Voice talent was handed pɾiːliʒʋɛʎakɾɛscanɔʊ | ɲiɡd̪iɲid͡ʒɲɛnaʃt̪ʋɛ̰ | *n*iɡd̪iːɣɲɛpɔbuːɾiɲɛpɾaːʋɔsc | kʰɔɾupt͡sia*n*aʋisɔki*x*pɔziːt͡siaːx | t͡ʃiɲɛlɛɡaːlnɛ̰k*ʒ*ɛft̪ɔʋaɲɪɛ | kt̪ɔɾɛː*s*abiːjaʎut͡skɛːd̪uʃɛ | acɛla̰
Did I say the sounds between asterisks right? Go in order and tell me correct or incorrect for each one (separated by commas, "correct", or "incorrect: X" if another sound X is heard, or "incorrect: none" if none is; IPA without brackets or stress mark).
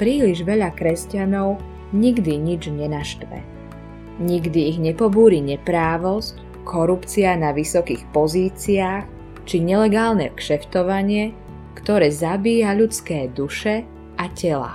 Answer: incorrect: ɲ, correct, correct, incorrect: ʃ, incorrect: z